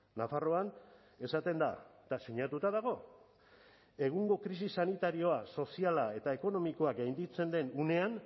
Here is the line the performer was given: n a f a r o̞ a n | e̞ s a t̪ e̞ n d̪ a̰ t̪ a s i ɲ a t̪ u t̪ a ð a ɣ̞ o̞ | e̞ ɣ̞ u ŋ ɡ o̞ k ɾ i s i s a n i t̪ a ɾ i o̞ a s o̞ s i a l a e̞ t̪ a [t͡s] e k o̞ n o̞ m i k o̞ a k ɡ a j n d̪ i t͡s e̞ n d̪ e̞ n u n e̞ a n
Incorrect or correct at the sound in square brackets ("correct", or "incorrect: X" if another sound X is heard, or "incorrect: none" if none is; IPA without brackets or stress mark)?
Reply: incorrect: none